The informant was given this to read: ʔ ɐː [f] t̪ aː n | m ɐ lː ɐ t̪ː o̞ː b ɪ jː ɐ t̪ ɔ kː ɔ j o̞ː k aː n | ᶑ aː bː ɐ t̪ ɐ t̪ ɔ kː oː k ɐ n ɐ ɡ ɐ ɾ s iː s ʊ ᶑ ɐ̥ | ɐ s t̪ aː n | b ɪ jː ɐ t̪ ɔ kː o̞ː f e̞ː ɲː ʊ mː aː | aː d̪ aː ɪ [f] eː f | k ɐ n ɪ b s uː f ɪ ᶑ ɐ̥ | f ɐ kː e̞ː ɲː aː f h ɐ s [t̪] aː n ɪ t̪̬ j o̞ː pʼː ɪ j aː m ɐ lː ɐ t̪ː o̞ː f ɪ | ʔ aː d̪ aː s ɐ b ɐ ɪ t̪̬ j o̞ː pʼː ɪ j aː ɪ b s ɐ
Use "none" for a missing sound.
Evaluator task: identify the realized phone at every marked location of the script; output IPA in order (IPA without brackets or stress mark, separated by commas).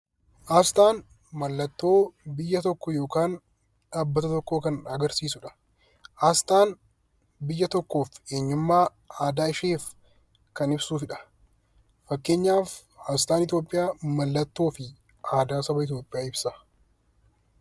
s, ʃ, t̪